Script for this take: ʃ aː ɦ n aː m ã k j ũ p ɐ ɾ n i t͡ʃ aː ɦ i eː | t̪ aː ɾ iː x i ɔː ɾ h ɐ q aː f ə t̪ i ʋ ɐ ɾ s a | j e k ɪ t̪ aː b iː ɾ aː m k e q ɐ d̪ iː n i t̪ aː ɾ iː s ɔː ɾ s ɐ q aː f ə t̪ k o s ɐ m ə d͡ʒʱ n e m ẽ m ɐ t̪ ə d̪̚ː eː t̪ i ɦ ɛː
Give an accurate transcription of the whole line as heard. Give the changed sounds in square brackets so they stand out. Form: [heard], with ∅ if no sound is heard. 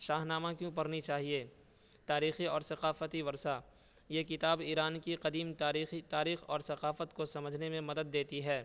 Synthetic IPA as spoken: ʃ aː ɦ n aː m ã k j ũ p ɐ ɾ n i t͡ʃ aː ɦ i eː | t̪ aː ɾ iː x i ɔː ɾ [s] ɐ q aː f ə t̪ i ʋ ɐ ɾ s a | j e k ɪ t̪ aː b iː ɾ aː [n] k [i] q ɐ d̪ iː [m] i t̪ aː ɾ iː [x] ɔː ɾ s ɐ q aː f ə t̪ k o s ɐ m ə d͡ʒʱ n e m ẽ m ɐ [d̪] ə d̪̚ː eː t̪ i ɦ ɛː

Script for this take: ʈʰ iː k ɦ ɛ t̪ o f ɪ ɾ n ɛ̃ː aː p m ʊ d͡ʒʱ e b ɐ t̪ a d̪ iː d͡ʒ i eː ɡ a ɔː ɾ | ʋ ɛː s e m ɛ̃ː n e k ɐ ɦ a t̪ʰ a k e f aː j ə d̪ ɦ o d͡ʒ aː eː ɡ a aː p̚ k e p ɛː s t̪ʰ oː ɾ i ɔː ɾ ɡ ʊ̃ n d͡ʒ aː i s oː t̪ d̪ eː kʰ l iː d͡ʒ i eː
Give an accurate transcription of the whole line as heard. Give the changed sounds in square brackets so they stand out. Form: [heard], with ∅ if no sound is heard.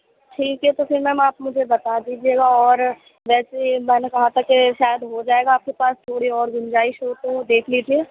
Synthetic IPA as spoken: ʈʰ iː k ɦ ɛ t̪ o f ɪ ɾ [m] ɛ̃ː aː p m ʊ d͡ʒʱ e b ɐ t̪ a d̪ iː d͡ʒ i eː ɡ a ɔː ɾ | ʋ ɛː s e m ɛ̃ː n e k ɐ ɦ a t̪ʰ a k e [ʃ] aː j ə d̪ ɦ o d͡ʒ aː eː ɡ a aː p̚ k e p [aː] s t̪ʰ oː [ɽ] i ɔː ɾ ɡ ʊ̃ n d͡ʒ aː i [ʃ] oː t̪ d̪ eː kʰ l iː d͡ʒ i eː

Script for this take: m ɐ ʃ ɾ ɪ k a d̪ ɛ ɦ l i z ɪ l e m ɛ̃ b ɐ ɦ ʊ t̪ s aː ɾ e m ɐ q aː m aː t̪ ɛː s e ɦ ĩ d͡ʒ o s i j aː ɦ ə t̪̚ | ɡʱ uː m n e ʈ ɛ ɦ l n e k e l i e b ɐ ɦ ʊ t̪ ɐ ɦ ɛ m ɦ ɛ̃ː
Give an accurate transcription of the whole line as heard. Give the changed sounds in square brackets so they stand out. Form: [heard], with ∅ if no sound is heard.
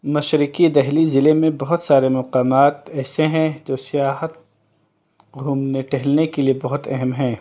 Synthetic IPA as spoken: m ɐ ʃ ɾ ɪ k [i] d̪ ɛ ɦ l i z ɪ l e m [ẽ] b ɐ ɦ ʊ t̪ s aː ɾ e m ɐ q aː m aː t̪ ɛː s e ɦ [ɛ̃] d͡ʒ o s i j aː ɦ ə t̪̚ | ɡʱ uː m n e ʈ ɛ ɦ l n e k e l i e b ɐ ɦ ʊ t̪ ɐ ɦ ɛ m ɦ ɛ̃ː

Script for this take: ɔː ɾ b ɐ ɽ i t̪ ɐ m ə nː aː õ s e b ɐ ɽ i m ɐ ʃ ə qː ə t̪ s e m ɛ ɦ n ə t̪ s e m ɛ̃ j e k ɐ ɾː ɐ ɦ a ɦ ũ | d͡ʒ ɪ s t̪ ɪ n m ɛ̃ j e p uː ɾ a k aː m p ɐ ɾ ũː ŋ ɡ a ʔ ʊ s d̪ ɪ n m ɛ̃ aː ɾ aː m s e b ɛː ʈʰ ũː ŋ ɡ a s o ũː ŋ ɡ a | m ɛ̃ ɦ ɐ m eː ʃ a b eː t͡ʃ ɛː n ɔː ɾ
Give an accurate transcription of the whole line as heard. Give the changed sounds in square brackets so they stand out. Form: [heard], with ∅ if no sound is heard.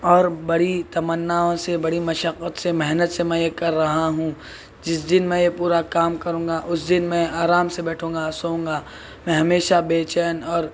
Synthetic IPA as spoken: ɔː ɾ b ɐ ɽ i t̪ ɐ m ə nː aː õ s e b ɐ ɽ i m ɐ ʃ ə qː ə t̪ s e m ɛ ɦ n ə t̪ s e m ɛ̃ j e k ɐ ɾː ɐ ɦ a ɦ ũ | d͡ʒ ɪ s [d̪] ɪ n m ɛ̃ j e p uː ɾ a k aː m [k] ɐ ɾ ũː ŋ ɡ a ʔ ʊ s d̪ ɪ n m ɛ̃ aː ɾ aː m s e b ɛː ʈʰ ũː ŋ ɡ a s o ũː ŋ ɡ a | m ɛ̃ ɦ ɐ m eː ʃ a b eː t͡ʃ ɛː n ɔː ɾ

